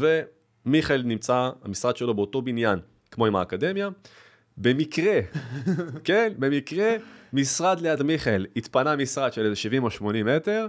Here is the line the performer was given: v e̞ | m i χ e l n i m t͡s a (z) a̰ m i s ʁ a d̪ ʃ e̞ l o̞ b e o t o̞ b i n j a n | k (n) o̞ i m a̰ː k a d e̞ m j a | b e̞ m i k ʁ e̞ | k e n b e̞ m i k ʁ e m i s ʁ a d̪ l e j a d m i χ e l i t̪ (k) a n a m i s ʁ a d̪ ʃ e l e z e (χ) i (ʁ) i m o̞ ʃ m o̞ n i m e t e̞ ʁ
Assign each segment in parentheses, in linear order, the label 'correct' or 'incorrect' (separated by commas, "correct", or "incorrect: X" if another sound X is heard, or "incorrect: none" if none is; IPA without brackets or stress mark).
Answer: incorrect: none, incorrect: m, incorrect: p, incorrect: ʃ, incorrect: v